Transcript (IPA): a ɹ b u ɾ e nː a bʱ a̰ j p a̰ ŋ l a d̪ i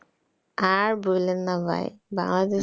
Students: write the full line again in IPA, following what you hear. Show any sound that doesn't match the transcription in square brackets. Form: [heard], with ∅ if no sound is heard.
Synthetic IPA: a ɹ b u [l] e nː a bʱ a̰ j [b] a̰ ŋ l a d̪ [e]